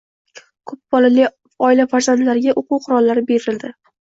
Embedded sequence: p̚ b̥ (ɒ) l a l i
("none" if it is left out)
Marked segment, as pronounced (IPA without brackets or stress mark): ɒ